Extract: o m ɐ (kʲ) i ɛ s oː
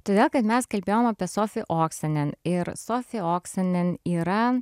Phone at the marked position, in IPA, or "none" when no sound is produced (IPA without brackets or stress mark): pʲ